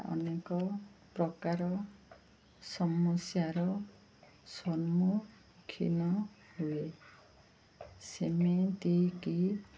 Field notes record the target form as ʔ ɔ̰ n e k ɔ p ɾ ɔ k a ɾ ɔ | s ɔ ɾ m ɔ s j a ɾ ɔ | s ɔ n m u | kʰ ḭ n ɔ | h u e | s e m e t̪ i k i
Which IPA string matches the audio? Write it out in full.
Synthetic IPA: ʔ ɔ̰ n e k ɔ p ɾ ɔ k a ɾ ɔ | s ɔ m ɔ s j a ɾ ɔ | s ɔ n m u | kʰ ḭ n ɔ | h u e | s e m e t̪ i k i